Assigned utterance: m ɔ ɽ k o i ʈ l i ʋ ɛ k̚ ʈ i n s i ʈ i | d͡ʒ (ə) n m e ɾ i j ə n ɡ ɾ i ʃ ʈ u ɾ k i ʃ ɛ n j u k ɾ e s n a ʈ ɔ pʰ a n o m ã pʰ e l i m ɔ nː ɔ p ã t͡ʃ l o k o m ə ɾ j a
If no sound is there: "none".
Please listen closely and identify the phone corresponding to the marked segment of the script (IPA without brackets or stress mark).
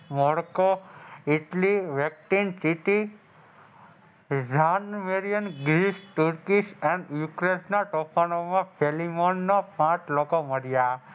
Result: a